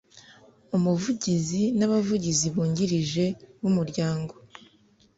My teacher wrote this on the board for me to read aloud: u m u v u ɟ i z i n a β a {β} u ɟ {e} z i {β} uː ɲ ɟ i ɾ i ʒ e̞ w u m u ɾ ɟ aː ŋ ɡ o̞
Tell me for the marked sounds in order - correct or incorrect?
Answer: incorrect, incorrect, correct

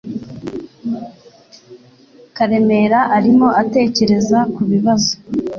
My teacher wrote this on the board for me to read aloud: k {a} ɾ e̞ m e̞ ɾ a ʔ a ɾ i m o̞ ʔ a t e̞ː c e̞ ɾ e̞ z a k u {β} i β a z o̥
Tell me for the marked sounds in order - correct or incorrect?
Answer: correct, correct

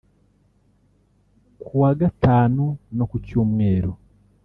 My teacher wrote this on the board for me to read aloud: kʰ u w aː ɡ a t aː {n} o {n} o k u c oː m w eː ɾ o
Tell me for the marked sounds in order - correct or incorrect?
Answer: correct, correct

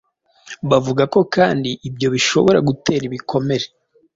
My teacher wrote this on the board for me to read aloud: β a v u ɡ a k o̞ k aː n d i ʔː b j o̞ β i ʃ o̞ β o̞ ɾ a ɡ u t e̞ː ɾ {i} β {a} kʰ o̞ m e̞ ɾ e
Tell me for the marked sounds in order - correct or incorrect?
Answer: correct, incorrect

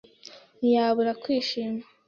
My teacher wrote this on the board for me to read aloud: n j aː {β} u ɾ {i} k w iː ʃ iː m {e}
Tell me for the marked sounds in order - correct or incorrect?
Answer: correct, incorrect, incorrect

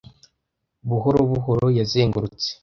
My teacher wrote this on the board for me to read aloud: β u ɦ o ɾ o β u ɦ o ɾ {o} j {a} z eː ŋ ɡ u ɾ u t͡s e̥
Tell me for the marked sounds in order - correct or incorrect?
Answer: correct, correct

